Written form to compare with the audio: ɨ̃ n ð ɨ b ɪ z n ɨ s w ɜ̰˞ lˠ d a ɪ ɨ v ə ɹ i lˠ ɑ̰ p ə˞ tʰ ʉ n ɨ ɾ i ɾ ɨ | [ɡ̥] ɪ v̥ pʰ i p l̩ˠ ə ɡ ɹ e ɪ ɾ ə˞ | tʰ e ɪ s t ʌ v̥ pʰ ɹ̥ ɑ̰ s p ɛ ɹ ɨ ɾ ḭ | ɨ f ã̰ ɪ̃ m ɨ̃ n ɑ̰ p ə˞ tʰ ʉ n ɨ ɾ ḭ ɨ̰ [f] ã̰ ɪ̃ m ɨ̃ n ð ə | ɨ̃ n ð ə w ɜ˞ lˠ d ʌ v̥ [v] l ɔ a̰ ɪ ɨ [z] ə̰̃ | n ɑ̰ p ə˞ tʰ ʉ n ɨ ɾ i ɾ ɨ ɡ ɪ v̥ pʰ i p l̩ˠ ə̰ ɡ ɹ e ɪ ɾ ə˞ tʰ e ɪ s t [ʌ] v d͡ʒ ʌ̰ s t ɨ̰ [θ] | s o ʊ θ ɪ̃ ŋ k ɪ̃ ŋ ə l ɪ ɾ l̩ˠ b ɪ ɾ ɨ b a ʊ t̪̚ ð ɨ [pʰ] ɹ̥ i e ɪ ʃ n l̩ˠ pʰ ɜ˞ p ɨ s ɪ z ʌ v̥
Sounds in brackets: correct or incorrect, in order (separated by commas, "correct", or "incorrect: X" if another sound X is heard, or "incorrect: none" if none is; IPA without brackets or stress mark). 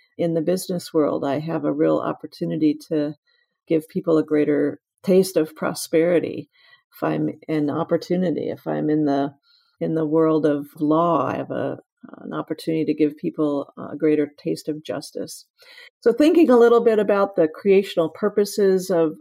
correct, correct, correct, incorrect: v, correct, incorrect: s, incorrect: kʰ